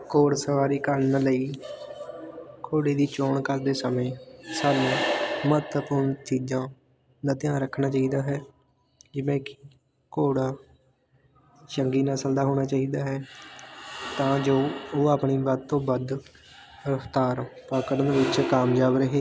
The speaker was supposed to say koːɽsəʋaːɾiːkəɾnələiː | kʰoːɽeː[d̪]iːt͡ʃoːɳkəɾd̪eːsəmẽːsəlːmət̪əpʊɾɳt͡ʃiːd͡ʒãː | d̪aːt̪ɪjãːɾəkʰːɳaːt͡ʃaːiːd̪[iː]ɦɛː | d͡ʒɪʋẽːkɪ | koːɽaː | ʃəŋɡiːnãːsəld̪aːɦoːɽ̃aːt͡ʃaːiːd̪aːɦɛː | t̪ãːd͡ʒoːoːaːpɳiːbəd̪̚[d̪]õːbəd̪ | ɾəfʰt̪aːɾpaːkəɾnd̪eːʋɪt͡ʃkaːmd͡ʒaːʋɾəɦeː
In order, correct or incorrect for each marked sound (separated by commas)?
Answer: correct, incorrect, incorrect